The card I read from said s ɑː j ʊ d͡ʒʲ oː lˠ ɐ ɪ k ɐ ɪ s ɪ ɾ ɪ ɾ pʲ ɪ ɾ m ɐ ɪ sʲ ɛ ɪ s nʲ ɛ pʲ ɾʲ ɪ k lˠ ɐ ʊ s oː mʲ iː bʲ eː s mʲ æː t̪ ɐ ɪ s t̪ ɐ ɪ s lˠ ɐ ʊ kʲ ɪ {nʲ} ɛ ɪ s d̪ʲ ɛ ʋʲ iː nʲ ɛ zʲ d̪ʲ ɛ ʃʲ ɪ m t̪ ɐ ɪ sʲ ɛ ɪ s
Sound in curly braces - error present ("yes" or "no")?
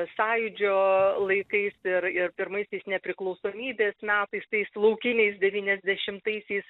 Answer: no